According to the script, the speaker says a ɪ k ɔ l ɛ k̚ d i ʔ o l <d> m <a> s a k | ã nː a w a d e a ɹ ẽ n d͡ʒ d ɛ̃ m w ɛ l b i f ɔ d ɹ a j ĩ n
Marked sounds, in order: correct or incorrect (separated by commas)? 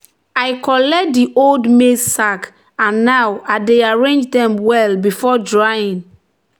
correct, incorrect